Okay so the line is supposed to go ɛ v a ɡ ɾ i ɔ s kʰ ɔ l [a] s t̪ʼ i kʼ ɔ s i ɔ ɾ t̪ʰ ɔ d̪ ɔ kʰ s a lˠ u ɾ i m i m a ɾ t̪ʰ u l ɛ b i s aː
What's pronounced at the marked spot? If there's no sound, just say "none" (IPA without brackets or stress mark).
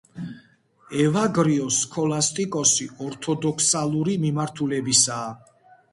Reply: a